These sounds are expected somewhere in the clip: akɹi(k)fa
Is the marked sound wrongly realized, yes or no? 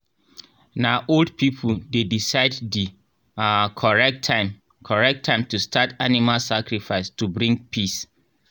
yes